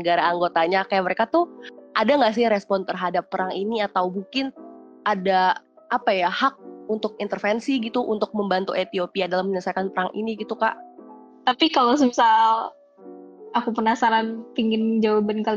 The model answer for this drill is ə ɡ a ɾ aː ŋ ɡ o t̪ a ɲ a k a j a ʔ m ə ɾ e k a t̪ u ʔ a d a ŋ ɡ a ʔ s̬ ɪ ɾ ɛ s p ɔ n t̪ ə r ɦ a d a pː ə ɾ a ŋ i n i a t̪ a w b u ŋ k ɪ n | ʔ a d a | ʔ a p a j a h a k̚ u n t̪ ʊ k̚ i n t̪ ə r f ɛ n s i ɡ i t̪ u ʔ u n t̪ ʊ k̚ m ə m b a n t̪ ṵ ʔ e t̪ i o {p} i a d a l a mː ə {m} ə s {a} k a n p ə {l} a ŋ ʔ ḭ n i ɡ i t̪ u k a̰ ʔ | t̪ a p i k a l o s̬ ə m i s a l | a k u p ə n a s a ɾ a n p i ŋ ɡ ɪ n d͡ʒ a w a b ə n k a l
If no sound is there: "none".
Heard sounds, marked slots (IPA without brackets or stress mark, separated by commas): p, ɲ, a, ɾ